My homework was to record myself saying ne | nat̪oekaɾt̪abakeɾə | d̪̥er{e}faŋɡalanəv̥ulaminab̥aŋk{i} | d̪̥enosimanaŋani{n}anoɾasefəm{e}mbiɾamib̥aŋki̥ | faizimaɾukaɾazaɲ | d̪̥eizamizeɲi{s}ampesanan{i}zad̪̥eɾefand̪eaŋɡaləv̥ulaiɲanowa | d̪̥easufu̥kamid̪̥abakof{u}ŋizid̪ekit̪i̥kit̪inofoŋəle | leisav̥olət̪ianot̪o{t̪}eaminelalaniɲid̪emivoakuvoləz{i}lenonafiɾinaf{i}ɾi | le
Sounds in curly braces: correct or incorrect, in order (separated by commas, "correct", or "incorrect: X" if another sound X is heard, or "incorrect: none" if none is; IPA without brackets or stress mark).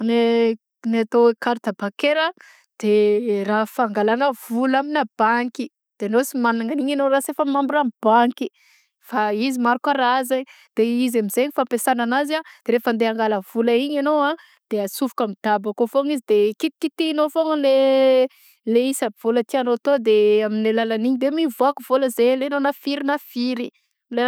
incorrect: a, correct, incorrect: ɲ, incorrect: a, incorrect: f, incorrect: a, incorrect: o, incorrect: d̪, incorrect: e, correct